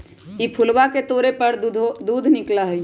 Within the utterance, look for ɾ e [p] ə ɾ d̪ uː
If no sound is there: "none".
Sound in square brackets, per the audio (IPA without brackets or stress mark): p